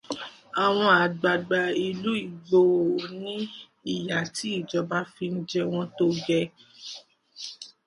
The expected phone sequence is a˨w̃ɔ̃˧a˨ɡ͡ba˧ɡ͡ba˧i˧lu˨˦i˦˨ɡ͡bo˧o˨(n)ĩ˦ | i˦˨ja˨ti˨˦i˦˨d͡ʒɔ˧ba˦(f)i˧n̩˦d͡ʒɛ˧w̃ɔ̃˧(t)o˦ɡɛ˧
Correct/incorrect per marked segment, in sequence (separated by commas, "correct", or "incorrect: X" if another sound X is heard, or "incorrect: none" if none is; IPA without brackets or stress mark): correct, correct, correct